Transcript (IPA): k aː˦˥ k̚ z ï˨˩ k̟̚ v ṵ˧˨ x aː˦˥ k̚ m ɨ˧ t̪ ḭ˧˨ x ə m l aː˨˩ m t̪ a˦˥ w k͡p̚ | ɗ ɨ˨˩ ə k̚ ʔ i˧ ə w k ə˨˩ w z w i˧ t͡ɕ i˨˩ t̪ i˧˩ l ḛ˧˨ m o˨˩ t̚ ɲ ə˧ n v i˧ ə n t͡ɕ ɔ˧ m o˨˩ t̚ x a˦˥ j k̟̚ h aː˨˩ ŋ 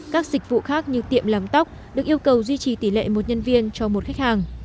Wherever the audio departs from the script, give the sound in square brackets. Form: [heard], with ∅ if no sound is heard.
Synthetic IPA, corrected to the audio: k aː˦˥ k̚ z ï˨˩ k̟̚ v ṵ˧˨ x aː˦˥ k̚ [ɲ] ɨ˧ t̪ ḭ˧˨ [∅] ə m l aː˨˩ m t̪ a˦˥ w k͡p̚ | ɗ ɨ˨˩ ə k̚ ʔ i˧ ə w k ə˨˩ w z w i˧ t͡ɕ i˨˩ t̪ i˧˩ l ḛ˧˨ m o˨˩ t̚ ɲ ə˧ n v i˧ ə n t͡ɕ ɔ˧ m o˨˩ t̚ x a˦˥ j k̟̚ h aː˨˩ ŋ

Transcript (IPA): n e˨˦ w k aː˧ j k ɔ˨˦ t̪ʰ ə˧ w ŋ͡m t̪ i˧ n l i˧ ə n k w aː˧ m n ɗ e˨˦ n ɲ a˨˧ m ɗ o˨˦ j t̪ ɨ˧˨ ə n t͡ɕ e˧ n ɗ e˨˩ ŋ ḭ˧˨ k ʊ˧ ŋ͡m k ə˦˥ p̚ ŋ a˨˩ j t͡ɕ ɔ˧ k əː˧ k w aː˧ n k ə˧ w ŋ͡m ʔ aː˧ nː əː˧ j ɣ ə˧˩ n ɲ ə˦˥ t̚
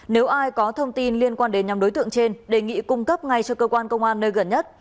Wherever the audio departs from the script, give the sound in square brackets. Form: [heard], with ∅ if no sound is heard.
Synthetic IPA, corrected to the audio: n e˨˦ w [ʔ] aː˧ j k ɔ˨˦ t̪ʰ ə˧ w ŋ͡m t̪ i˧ n l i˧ ə n k w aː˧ [∅] n ɗ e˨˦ n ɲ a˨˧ m ɗ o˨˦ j t̪ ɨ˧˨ ə [ŋ] t͡ɕ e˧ n ɗ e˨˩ ŋ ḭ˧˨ k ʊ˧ ŋ͡m k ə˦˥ p̚ ŋ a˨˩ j t͡ɕ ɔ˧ k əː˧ k w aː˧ n k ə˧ w ŋ͡m ʔ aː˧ nː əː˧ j ɣ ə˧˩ n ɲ ə˦˥ t̚

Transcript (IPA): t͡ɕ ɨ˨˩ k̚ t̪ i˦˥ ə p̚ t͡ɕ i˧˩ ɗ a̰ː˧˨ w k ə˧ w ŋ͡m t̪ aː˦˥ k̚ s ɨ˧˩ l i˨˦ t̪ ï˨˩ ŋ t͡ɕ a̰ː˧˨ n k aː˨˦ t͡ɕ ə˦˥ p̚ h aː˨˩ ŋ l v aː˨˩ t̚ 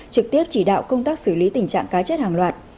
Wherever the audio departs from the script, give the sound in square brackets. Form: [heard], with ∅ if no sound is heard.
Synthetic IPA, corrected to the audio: t͡ɕ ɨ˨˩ k̚ t̪ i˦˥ ə p̚ t͡ɕ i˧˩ ɗ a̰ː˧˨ w k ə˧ w ŋ͡m t̪ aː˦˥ k̚ s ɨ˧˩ l i˨˦ t̪ ï˨˩ ŋ t͡ɕ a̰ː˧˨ [ŋ] k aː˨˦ t͡ɕ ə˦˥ [t̚] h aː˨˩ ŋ l [w] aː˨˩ t̚

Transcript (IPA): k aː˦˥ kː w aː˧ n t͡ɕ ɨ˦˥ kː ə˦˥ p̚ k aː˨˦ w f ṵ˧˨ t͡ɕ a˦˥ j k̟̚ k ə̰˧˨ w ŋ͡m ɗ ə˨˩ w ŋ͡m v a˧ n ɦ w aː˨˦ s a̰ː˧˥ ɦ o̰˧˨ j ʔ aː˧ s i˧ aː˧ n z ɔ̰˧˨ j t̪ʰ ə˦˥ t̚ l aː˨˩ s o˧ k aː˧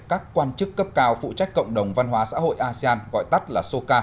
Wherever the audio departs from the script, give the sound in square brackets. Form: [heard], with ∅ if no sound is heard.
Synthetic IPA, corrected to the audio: k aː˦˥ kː w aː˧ n t͡ɕ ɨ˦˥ kː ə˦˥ p̚ k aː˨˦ w f ṵ˧˨ t͡ɕ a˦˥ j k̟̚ k ə̰˧˨ w ŋ͡m ɗ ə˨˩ w ŋ͡m v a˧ n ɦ w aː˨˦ s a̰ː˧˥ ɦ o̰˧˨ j ʔ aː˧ s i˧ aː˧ n [ɣ] ɔ̰˧˨ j [t̪] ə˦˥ t̚ l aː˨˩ s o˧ k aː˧

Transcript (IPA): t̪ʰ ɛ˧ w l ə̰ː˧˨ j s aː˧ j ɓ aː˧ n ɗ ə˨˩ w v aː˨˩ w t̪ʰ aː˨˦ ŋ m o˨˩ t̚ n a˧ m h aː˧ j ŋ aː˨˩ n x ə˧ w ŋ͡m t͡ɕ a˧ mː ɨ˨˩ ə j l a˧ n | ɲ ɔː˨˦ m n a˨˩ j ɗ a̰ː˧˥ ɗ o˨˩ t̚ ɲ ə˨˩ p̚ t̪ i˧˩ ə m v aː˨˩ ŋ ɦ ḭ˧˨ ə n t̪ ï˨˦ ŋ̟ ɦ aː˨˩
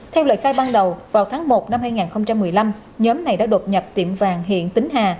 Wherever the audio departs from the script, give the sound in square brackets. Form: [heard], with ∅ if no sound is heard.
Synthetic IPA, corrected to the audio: t̪ʰ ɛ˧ w l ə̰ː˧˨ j [x] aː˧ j ɓ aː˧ n ɗ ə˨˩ w v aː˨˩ w t̪ʰ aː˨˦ ŋ m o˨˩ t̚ n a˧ m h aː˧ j ŋ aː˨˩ n x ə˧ w ŋ͡m t͡ɕ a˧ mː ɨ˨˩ ə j l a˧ [m] | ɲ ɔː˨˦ m n a˨˩ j ɗ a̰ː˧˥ ɗ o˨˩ t̚ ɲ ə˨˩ p̚ t̪ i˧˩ ə m v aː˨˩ ŋ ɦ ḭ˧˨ ə n t̪ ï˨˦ ŋ̟ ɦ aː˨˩

